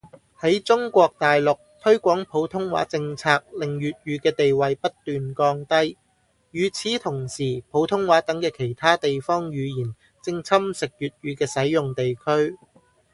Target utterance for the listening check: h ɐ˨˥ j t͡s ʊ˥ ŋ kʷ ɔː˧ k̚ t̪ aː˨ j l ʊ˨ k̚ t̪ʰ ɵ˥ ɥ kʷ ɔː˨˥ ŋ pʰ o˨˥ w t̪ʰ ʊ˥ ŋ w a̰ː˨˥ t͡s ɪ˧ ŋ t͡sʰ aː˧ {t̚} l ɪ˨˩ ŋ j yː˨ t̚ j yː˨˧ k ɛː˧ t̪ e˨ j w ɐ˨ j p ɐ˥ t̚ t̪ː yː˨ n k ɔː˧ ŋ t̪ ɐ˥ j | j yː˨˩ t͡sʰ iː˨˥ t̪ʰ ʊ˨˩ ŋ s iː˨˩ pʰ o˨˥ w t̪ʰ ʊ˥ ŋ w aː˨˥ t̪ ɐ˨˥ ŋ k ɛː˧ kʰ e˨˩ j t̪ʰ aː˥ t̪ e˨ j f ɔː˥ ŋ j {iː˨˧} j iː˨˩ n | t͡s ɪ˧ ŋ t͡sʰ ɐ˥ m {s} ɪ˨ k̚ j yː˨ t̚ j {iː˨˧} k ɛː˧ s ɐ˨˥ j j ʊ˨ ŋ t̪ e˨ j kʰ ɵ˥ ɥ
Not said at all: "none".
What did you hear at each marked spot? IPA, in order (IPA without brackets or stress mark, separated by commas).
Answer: k̚, yː˨˧, s, yː˨˧